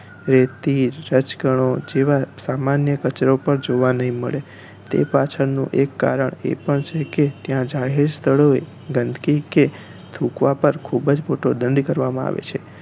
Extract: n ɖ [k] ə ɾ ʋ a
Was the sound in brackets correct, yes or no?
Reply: yes